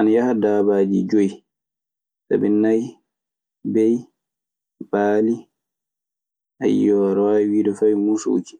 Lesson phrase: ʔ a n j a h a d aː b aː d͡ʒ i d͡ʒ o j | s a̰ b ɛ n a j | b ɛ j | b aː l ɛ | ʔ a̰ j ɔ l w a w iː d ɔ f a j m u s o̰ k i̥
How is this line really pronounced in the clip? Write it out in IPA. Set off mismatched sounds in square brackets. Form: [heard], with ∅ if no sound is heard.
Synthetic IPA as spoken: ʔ a n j a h a d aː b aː d͡ʒ i d͡ʒ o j | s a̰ b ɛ n a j | b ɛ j | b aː l [i] | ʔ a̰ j ɔ [ɾ] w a w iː d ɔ f a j m u s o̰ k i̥